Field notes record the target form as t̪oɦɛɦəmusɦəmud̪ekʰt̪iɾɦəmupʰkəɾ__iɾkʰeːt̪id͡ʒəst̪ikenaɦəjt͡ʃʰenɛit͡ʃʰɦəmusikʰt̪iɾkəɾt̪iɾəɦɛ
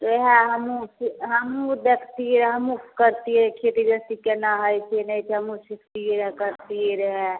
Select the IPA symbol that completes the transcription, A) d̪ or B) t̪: B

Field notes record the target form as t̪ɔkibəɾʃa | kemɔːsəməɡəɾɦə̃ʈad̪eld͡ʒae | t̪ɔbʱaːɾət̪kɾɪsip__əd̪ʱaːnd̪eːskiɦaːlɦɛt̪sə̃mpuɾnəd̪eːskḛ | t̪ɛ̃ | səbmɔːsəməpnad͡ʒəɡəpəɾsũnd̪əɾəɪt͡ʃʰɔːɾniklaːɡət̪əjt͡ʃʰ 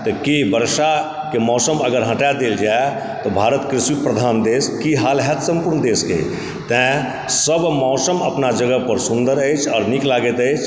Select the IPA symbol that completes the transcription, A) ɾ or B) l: A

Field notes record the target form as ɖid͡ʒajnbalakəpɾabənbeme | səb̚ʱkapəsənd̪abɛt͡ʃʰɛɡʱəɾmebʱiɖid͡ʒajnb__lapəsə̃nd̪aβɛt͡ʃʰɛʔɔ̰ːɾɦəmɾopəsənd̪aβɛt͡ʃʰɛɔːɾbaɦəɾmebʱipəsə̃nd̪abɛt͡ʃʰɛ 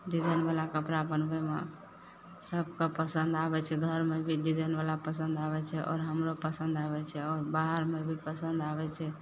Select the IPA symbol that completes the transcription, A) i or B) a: B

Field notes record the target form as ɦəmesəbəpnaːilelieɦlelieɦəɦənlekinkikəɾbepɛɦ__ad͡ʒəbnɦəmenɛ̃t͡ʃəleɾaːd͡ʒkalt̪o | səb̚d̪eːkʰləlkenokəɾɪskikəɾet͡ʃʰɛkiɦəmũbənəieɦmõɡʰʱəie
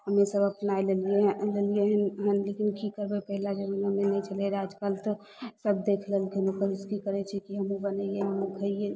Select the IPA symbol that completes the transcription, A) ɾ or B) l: B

